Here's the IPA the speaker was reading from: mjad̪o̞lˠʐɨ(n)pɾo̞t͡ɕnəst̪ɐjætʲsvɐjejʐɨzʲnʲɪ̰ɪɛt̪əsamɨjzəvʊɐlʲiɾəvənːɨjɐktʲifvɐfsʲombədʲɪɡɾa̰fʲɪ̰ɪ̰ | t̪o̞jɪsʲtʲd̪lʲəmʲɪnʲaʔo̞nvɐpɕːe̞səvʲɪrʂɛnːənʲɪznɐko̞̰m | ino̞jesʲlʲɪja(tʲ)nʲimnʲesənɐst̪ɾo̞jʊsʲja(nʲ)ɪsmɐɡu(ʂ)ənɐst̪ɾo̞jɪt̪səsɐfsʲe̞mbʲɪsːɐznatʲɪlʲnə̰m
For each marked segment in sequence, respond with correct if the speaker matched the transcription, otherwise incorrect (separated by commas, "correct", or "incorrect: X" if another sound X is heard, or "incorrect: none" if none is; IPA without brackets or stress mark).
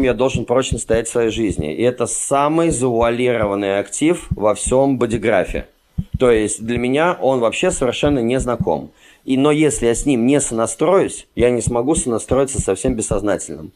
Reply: correct, incorrect: sʲ, correct, incorrect: s